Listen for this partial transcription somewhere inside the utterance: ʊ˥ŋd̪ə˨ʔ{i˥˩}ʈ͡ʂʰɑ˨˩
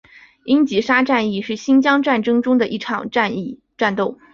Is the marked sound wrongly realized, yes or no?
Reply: no